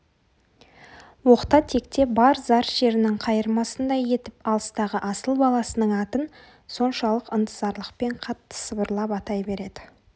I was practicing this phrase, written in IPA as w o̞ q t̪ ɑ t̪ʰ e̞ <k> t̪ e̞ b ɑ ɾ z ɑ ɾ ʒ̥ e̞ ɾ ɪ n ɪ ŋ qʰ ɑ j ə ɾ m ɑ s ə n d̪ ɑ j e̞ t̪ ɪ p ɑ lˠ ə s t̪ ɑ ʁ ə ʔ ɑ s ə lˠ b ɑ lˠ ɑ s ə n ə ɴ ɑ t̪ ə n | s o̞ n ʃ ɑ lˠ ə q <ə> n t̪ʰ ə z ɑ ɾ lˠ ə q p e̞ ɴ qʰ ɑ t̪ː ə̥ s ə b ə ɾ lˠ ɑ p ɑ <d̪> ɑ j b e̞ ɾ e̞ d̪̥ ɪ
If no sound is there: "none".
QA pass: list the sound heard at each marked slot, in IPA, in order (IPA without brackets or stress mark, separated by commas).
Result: k, ə, t̪